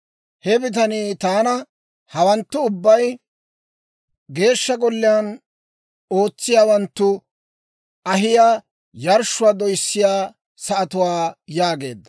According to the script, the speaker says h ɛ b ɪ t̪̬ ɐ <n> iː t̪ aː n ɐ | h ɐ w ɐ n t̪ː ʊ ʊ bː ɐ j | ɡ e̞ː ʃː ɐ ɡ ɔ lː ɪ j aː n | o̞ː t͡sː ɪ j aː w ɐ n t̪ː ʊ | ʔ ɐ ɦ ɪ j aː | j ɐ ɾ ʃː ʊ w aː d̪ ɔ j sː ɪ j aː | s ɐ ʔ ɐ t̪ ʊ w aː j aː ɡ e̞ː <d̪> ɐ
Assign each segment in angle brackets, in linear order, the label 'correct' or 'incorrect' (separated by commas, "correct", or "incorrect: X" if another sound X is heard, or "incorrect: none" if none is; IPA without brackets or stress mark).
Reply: correct, incorrect: d̪ː